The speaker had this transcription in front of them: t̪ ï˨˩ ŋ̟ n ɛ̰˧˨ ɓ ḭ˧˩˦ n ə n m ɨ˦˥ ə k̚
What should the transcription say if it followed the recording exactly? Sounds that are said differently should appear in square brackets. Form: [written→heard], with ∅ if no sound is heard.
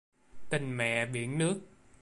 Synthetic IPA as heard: t̪ ï˨˩ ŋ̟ [n→m] ɛ̰˧˨ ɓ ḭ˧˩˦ [n→∅] ə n [m→n] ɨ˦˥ ə k̚